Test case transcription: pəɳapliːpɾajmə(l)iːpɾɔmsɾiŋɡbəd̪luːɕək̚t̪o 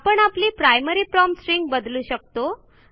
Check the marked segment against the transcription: incorrect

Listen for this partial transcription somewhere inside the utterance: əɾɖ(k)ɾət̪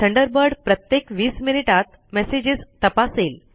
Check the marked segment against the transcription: incorrect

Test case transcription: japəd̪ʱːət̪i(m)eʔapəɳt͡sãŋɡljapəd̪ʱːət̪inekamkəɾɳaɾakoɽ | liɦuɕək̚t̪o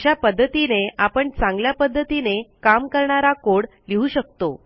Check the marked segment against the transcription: incorrect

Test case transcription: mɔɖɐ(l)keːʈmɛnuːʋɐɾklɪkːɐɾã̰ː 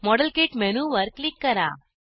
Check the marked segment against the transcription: correct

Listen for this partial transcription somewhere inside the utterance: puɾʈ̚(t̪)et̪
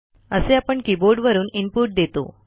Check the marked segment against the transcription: incorrect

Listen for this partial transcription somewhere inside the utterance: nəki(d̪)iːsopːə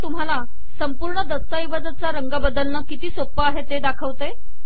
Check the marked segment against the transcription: incorrect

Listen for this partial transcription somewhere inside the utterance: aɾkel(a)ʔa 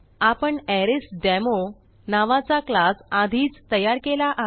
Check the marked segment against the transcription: correct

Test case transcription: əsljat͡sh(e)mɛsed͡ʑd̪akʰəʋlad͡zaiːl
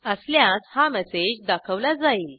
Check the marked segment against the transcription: incorrect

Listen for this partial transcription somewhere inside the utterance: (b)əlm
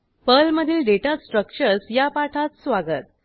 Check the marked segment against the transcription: incorrect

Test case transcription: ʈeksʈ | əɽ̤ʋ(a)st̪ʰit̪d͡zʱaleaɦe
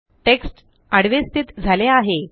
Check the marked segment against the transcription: incorrect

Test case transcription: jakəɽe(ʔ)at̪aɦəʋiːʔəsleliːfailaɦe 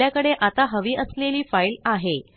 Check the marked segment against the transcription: correct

